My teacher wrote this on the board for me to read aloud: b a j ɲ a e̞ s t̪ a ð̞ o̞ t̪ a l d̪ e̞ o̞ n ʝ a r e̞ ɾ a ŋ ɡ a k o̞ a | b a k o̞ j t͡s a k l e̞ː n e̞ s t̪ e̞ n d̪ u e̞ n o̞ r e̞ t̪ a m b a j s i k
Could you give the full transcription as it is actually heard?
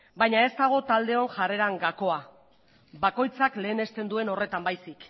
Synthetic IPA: b a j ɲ a e̞ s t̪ a ɣ̞ o̞ t̪ a l d̪ e̞ o̞ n ʝ a r e̞ ɾ a ŋ ɡ a k o̞ a | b a k o̞ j t͡s a k l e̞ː n e̞ s t̪ e̞ n d̪ u e̞ n o̞ r e̞ t̪ a m b a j s i k